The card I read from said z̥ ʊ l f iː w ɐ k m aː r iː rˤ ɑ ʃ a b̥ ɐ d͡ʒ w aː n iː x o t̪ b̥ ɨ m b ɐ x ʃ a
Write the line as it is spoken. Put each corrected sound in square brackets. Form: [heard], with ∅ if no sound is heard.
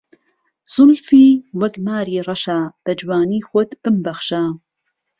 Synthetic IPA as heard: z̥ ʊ l f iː w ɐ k m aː [ɾ] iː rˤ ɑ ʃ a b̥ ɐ d͡ʒ w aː n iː x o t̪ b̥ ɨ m b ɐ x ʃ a